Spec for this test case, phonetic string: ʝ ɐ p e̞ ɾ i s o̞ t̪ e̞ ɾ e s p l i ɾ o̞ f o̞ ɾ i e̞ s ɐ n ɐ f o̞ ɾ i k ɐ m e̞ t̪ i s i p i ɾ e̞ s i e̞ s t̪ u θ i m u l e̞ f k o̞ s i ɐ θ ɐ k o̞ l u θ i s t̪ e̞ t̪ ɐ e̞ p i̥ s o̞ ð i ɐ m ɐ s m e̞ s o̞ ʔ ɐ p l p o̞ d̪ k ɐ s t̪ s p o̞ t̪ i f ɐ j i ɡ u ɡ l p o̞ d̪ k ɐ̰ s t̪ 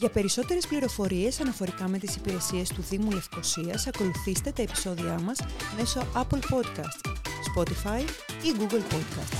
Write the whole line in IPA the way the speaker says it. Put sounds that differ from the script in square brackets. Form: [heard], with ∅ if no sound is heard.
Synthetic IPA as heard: ʝ ɐ p e̞ ɾ i s o̞ t̪ e̞ ɾ e s p l i ɾ o̞ f o̞ ɾ i e̞ s ɐ n ɐ f o̞ ɾ i k ɐ m e̞ t̪ i s i p i ɾ e̞ s i e̞ s t̪ u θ i m u l e̞ f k o̞ s i ɐ [s] ɐ k o̞ l u θ i s t̪ e̞ t̪ ɐ e̞ p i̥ s o̞ ð i ɐ m ɐ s m e̞ s o̞ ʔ ɐ p l p o̞ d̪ k ɐ s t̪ s p o̞ t̪ i f ɐ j i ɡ u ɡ l p o̞ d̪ k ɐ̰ s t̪